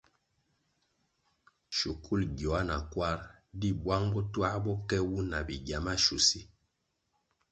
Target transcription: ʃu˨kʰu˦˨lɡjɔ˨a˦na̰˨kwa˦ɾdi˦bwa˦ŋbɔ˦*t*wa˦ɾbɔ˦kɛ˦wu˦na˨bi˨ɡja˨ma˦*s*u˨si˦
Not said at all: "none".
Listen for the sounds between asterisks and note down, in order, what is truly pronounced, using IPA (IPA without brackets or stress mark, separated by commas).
t, ʃ